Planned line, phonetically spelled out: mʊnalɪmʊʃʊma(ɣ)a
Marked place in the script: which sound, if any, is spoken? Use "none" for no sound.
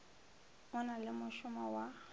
w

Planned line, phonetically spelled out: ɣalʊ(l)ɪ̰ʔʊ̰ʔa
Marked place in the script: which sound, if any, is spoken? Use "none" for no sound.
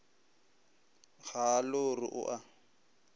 r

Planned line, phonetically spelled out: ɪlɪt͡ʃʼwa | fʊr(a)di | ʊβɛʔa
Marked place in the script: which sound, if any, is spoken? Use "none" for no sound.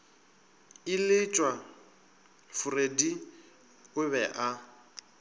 e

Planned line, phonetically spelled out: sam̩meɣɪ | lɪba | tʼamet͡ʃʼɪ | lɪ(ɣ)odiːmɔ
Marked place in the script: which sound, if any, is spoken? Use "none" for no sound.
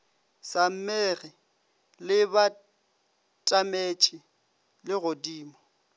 ɣ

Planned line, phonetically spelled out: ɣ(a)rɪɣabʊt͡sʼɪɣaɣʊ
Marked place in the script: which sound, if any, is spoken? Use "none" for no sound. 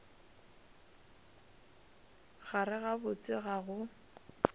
a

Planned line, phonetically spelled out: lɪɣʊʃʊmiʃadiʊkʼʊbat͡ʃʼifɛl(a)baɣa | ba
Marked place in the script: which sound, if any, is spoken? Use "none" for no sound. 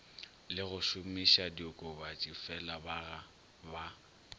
a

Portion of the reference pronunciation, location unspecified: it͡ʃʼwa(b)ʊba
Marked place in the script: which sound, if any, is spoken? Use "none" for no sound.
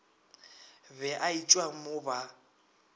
m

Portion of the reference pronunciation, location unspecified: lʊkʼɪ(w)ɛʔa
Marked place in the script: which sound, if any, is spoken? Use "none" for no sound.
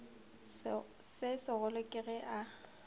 ɣ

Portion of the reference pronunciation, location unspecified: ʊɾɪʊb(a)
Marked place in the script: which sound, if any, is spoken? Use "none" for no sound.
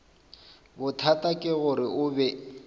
ɛ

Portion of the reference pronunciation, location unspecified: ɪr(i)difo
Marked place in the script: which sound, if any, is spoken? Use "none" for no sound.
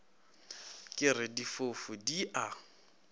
ɪ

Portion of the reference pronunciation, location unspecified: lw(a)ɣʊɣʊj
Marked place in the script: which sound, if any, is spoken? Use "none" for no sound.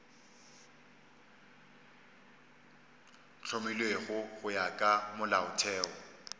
e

